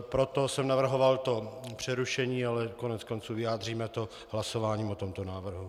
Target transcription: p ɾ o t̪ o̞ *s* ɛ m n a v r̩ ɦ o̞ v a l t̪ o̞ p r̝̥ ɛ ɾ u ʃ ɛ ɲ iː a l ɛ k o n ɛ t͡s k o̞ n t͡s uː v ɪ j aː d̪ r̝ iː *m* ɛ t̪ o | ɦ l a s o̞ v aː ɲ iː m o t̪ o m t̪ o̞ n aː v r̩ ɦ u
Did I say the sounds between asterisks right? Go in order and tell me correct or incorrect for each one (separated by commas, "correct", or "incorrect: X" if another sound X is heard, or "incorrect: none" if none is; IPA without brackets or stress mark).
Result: correct, correct